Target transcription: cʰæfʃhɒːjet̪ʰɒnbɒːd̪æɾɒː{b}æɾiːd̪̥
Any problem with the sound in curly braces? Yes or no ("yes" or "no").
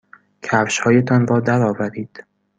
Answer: yes